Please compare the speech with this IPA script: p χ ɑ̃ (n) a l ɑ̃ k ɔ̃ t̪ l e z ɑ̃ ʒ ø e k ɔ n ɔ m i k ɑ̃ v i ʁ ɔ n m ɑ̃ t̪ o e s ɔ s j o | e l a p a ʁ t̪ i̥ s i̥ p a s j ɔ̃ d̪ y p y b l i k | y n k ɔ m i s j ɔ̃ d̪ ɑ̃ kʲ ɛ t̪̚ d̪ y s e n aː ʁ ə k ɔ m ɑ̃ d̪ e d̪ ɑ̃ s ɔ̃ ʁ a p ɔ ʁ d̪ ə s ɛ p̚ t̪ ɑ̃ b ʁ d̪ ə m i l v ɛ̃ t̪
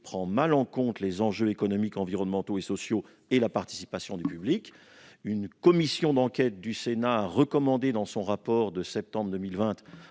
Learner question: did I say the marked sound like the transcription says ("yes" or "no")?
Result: no